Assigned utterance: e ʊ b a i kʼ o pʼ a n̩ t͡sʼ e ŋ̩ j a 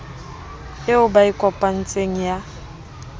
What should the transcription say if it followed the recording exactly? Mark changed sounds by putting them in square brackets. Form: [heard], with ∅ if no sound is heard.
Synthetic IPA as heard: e ʊ b a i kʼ [ɔ] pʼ a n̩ t͡sʼ e ŋ̩ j a